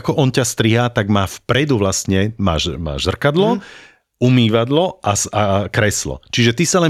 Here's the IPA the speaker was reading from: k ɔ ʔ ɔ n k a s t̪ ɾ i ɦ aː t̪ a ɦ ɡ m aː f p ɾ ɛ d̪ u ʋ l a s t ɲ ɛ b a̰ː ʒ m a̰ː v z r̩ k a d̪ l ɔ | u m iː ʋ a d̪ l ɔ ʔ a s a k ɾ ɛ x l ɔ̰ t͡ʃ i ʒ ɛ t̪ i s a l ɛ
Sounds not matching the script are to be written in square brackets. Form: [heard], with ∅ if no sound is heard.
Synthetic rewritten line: k ɔ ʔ ɔ n [c] a s t̪ ɾ i ɦ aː t̪ a [∅] ɡ m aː f p ɾ ɛ d̪ u ʋ l a s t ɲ ɛ [m] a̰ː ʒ m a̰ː [ʒ] z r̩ k a d̪ l ɔ | u m iː ʋ a d̪ l ɔ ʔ a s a k ɾ ɛ [s] l ɔ̰ t͡ʃ i ʒ ɛ t̪ i s a l ɛ